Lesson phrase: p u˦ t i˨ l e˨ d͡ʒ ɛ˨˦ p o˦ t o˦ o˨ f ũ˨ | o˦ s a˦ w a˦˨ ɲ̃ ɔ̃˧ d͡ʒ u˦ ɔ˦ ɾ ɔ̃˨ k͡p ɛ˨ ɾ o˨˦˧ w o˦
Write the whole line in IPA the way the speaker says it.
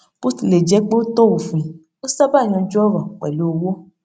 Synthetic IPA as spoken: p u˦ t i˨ l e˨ d͡ʒ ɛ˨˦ k͡p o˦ t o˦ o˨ f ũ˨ | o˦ s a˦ b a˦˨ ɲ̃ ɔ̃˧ d͡ʒ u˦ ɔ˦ ɾ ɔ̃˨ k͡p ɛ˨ l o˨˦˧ w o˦